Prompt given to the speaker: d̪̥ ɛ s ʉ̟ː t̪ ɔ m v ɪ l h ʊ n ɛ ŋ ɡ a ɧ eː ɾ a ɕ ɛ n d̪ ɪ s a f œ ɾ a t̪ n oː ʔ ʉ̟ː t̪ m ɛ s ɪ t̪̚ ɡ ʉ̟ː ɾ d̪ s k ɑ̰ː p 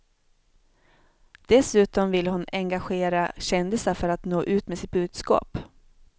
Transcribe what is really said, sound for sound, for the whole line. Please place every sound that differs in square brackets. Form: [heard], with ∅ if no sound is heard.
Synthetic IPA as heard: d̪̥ ɛ s ʉ̟ː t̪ ɔ m v ɪ l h ʊ n ɛ ŋ ɡ a ɧ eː ɾ a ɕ ɛ n d̪ ɪ s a f œ ɾ a t̪ n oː ʔ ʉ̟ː t̪ m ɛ s ɪ t̪̚ [b] ʉ̟ː [∅] d̪ s k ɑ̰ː p